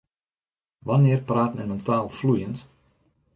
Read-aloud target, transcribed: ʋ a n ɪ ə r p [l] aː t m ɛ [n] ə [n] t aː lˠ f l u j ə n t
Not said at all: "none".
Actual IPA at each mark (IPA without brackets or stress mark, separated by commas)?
r, n, n